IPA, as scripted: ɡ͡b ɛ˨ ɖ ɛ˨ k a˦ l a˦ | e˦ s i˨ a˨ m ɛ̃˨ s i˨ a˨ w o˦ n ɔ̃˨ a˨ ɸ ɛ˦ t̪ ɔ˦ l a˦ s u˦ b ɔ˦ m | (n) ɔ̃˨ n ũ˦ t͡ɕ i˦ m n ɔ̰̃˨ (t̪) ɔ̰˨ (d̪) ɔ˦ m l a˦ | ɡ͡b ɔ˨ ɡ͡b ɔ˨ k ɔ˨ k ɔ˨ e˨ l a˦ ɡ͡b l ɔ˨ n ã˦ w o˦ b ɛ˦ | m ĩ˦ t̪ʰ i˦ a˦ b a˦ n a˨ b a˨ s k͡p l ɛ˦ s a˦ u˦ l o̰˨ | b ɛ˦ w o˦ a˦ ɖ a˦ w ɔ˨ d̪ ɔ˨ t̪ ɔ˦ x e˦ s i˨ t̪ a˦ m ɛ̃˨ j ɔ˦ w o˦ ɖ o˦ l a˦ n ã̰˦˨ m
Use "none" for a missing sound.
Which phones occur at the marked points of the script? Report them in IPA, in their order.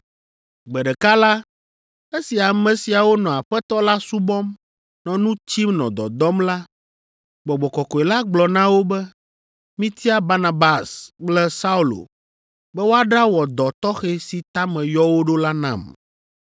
n, d̪, d̪

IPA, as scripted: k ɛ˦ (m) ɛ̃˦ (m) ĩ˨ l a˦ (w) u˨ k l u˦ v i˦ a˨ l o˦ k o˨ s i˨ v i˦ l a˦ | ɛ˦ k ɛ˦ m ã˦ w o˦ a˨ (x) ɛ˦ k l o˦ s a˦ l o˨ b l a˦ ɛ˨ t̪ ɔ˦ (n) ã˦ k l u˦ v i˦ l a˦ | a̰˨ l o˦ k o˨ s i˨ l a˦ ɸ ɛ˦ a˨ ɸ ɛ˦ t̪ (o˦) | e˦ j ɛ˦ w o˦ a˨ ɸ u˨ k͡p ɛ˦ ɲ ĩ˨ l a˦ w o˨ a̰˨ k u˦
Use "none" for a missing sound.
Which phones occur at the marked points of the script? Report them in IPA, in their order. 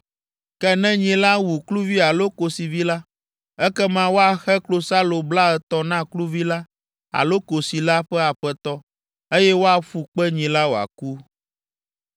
n, ɲ, w, x, n, ɔ˦

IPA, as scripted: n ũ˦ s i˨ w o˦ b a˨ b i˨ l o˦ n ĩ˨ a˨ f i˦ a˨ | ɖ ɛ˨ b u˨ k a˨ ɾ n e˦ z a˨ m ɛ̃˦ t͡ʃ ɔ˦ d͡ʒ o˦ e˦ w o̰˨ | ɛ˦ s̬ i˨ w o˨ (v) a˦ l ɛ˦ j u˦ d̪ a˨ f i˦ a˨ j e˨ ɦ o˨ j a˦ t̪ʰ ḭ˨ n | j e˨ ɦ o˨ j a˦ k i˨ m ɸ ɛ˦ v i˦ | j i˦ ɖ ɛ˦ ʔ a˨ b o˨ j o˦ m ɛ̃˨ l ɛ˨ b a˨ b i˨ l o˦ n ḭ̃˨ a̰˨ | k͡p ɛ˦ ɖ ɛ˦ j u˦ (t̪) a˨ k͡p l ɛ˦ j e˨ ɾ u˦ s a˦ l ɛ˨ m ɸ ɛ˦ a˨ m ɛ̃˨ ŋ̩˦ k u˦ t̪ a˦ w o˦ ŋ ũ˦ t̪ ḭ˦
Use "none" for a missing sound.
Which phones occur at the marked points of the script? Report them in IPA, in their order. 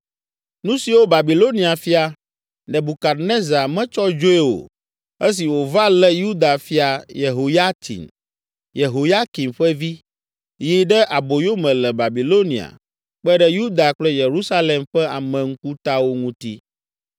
v, d̪

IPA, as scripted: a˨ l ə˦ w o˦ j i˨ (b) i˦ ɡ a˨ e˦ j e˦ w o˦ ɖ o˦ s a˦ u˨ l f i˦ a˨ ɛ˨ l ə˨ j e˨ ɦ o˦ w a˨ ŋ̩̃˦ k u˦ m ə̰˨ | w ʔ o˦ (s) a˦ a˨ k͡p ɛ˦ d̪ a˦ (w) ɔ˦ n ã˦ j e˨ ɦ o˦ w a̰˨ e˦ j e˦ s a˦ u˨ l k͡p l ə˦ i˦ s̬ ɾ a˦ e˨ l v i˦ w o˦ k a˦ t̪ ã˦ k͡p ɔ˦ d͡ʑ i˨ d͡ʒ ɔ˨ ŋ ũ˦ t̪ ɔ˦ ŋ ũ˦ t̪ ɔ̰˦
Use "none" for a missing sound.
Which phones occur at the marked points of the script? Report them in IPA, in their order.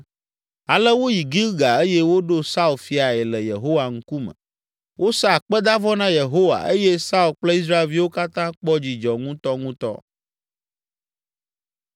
ɡ, s, v

